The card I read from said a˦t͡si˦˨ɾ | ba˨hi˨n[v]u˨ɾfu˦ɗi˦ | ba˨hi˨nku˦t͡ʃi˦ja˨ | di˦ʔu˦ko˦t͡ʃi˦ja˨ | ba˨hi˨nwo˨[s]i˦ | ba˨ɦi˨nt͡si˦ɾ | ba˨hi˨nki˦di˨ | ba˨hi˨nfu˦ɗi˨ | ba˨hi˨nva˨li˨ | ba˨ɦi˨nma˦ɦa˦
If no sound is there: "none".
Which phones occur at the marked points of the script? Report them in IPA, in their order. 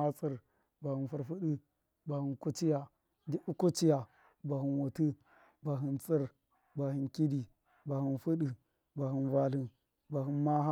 f, t

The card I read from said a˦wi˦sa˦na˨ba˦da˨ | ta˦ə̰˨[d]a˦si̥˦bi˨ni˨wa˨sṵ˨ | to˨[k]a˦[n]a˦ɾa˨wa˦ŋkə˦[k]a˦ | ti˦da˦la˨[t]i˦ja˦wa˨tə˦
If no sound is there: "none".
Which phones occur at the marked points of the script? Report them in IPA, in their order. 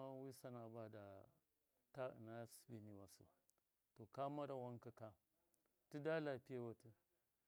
n, k, m, k, p

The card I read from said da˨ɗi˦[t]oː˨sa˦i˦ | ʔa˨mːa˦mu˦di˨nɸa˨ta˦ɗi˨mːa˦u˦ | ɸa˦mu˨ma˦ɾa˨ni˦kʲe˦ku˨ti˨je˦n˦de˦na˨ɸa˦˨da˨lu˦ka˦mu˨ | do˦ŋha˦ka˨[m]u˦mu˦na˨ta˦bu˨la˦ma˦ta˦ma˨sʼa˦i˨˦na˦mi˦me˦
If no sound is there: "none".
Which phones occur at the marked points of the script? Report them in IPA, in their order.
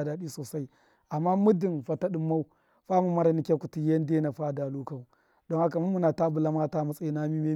s, m

